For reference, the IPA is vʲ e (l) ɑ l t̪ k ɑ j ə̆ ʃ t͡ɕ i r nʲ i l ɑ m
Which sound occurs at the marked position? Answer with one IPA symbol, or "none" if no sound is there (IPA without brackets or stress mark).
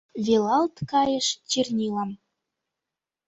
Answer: l